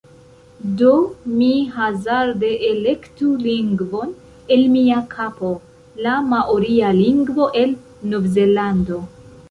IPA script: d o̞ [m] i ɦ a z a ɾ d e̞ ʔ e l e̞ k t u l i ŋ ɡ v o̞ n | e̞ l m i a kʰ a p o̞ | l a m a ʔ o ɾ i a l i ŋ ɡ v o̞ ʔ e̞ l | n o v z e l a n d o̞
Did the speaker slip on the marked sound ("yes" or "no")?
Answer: no